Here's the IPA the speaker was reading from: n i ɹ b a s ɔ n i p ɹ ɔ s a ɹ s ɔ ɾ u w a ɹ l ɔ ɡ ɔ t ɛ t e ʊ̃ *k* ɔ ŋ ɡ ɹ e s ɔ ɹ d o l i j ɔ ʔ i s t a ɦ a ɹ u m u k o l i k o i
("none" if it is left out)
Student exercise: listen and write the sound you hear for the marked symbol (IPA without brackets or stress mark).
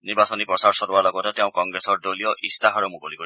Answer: k